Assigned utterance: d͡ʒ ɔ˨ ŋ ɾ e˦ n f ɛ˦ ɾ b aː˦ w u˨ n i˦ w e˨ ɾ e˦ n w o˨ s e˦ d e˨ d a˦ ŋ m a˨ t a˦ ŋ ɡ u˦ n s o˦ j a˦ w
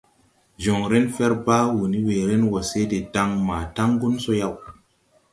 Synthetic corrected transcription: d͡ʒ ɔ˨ ŋ ɾ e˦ n f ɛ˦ ɾ b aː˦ w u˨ n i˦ w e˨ ɾ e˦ n w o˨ s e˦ d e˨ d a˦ ŋ m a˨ t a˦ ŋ ɡ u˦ n s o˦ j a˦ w